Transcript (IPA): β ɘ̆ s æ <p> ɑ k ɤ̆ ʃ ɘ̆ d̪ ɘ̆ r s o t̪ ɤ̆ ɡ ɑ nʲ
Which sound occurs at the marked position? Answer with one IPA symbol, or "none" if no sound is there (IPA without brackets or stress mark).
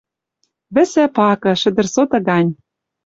p